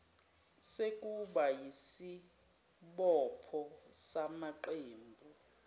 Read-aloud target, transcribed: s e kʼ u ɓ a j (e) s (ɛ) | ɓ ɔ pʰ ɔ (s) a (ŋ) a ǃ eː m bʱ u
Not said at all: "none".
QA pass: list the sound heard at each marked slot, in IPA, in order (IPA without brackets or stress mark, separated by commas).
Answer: i, i, s, m